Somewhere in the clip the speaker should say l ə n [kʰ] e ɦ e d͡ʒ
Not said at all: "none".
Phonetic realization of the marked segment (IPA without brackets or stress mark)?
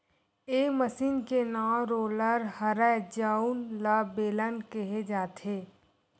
k